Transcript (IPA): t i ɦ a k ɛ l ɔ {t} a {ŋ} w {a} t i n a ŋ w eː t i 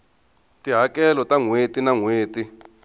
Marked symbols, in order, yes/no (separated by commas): yes, yes, no